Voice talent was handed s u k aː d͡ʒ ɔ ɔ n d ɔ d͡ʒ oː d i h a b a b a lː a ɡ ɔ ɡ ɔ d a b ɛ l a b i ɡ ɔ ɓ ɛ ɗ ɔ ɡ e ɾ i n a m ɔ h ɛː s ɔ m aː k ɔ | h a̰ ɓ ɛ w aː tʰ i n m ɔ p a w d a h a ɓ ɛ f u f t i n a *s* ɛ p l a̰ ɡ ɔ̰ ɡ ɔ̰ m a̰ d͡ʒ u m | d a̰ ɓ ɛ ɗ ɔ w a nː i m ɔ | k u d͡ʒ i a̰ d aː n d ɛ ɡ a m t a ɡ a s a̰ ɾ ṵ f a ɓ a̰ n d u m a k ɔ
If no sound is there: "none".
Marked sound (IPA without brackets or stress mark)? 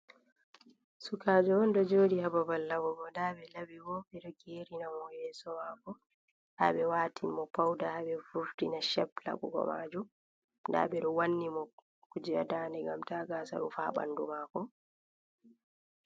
ʃ